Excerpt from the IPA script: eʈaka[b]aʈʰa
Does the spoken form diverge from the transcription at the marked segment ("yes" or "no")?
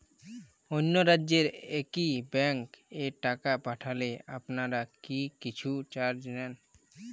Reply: yes